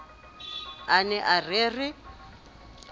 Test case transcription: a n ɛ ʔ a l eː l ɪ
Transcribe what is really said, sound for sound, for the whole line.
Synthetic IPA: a n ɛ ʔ a r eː r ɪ